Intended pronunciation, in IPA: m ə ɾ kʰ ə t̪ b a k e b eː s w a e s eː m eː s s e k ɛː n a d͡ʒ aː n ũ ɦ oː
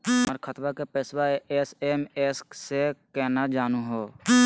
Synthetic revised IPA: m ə ɾ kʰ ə t̪ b a k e p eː s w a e s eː m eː s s e k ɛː n a d͡ʒ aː n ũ ɦ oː